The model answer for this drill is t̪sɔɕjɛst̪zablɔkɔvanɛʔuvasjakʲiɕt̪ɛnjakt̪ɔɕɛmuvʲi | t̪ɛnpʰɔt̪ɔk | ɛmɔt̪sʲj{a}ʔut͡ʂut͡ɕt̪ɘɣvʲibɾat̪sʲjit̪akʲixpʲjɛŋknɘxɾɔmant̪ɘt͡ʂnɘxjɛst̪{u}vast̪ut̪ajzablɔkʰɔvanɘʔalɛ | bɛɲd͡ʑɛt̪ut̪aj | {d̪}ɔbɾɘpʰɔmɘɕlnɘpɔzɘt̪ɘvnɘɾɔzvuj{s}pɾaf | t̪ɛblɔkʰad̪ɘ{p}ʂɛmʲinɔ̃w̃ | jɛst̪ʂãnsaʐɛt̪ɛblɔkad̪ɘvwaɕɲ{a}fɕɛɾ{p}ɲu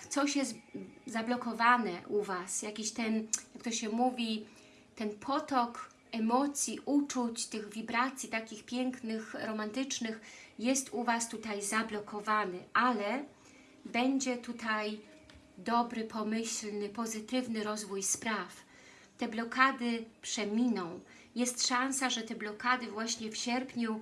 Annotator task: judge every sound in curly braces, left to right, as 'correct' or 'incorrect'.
incorrect: i, correct, correct, correct, correct, incorrect: ɛ, correct

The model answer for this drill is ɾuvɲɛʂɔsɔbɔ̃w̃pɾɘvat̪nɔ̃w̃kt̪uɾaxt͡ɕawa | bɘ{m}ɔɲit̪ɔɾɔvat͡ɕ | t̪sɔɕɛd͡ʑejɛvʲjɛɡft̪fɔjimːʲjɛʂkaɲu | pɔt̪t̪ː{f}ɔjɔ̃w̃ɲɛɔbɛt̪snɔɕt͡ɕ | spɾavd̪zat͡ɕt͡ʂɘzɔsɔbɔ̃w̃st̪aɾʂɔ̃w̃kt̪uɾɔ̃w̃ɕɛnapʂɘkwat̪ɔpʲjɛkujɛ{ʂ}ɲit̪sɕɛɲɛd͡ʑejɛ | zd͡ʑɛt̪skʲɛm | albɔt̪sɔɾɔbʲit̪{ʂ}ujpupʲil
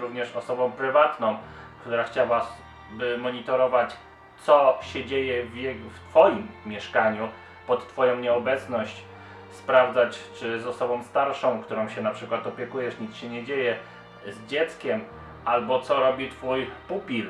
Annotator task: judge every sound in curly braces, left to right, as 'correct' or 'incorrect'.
correct, correct, correct, incorrect: f

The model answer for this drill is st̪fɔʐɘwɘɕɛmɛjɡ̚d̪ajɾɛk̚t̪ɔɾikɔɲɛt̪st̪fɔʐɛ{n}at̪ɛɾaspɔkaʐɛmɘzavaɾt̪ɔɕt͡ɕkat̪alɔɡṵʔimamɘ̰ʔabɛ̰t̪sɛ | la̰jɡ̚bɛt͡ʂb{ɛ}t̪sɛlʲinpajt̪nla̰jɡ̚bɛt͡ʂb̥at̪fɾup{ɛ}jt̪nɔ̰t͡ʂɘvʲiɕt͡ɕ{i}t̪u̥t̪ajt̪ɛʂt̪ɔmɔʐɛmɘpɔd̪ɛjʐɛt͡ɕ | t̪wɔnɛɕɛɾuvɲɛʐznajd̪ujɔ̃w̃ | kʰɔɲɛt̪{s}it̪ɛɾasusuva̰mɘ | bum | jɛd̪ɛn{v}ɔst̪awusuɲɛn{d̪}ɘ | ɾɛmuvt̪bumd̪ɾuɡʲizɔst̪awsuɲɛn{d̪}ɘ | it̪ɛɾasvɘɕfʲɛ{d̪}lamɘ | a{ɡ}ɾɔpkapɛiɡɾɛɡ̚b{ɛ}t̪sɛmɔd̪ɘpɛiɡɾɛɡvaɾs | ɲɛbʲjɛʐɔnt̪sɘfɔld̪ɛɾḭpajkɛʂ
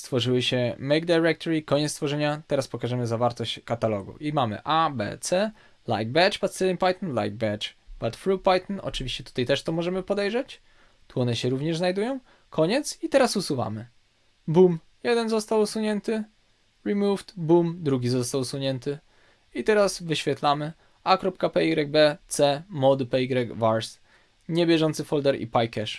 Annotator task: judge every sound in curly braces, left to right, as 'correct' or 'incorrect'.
incorrect: ɲ, incorrect: a, incorrect: a, incorrect: ɛ, correct, incorrect: z, incorrect: t̪, incorrect: t̪, incorrect: t̪, incorrect: k, correct

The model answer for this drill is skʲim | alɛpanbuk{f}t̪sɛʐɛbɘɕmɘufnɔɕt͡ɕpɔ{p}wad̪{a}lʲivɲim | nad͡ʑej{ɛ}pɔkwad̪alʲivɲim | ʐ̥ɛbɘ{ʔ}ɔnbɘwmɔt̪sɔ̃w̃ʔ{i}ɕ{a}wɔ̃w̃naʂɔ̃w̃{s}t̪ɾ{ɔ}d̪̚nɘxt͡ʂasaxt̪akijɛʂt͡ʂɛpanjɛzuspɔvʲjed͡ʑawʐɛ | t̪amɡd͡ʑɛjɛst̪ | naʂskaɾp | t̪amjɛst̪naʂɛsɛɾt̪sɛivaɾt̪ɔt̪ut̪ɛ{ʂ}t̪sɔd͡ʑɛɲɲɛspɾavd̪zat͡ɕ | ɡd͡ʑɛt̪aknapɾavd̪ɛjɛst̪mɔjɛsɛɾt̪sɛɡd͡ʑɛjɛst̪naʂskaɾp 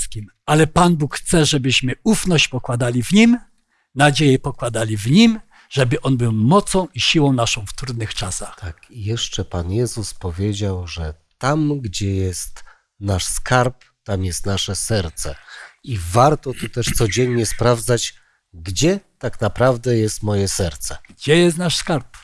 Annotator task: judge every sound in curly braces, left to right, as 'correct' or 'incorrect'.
incorrect: x, incorrect: k, correct, correct, correct, correct, incorrect: i, incorrect: f, incorrect: u, correct

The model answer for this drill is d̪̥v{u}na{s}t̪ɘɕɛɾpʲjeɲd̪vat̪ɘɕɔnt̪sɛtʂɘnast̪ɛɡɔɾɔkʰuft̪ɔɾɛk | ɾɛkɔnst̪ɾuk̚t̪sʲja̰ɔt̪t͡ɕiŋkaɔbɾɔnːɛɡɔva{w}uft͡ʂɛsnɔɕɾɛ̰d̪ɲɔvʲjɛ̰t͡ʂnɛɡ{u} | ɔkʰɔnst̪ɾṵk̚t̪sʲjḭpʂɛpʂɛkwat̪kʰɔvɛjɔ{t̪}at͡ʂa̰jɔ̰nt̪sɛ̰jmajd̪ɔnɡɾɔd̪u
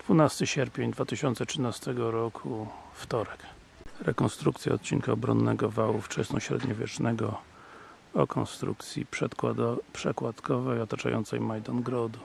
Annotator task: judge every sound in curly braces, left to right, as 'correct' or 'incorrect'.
correct, correct, correct, incorrect: ɔ, correct

